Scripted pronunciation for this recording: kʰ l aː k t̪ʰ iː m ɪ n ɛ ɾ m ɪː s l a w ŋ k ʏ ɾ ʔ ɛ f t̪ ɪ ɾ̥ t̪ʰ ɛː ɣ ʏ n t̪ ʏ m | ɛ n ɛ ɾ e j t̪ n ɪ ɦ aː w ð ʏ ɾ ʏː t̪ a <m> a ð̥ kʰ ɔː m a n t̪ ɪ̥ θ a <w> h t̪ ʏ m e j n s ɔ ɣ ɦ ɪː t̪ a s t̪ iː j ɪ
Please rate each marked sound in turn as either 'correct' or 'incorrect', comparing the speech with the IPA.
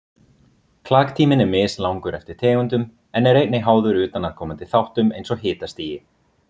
incorrect: n, correct

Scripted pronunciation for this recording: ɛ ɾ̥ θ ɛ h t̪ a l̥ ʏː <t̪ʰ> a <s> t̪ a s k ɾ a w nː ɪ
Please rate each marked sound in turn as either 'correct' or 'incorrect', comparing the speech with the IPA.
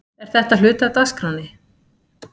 incorrect: t̪, incorrect: none

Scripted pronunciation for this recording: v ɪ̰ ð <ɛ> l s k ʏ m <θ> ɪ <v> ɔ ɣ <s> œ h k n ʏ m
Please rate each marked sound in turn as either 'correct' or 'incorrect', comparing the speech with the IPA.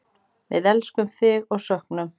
correct, correct, incorrect: ɣ, correct

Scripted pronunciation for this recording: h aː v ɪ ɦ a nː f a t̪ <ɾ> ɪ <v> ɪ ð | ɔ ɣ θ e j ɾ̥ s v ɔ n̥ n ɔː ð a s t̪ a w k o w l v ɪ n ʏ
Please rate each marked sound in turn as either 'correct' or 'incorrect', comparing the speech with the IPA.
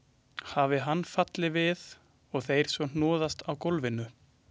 incorrect: l, correct

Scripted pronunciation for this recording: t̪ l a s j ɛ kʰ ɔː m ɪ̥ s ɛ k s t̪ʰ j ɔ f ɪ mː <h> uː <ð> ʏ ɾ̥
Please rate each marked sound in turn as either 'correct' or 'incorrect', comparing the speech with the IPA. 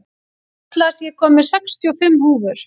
correct, incorrect: v

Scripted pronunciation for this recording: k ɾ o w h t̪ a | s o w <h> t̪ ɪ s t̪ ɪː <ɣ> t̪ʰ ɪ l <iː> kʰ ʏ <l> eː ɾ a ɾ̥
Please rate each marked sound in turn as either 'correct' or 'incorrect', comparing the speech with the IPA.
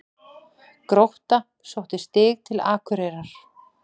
correct, correct, incorrect: aː, incorrect: ɾ

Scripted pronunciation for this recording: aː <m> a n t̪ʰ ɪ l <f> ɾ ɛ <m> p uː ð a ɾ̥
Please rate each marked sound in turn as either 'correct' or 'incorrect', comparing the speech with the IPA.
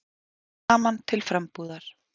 correct, correct, correct

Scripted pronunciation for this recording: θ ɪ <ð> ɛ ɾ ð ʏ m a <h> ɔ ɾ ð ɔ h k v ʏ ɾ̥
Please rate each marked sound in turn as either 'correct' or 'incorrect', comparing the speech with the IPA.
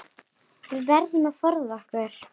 incorrect: v, incorrect: f

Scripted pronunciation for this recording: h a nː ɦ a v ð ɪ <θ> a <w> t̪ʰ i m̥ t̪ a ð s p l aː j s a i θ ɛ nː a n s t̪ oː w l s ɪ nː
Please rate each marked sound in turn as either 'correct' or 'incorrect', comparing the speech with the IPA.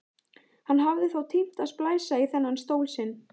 correct, correct

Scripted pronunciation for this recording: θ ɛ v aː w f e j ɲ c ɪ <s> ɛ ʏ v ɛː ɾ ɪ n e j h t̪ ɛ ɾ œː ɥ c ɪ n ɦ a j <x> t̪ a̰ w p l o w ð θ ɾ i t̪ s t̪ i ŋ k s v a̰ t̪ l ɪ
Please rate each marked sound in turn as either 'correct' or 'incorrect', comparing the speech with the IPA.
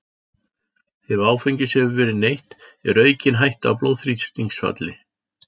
correct, incorrect: h

